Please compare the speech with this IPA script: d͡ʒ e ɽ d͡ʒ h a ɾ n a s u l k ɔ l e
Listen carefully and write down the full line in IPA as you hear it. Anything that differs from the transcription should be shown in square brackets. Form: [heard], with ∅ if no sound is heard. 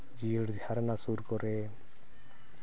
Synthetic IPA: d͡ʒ [i] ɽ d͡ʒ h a ɾ n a s u [ɾ] k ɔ [ɾ] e